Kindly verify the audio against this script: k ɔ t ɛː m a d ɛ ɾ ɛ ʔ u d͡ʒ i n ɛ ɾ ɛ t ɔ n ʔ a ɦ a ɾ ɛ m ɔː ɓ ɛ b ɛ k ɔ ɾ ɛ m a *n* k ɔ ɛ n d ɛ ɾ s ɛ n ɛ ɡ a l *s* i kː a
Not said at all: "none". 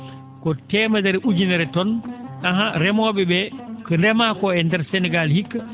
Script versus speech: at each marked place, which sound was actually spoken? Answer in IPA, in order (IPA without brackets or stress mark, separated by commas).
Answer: none, h